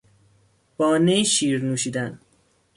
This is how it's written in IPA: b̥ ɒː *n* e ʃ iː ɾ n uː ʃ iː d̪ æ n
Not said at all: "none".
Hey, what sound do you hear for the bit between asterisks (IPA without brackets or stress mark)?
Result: n